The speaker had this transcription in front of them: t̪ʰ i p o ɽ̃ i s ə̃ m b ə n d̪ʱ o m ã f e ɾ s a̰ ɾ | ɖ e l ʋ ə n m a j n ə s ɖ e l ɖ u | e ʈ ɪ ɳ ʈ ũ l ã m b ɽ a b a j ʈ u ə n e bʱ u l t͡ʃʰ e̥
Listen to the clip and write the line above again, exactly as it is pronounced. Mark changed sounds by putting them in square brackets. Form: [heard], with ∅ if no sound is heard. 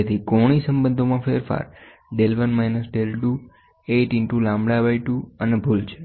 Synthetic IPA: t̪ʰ i [k] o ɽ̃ i s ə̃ m b ə n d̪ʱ o m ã f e ɾ [f] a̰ ɾ | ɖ e l ʋ ə n m a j n ə s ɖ e l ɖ u | e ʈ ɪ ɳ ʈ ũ l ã m b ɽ a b a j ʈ u ə n e bʱ u l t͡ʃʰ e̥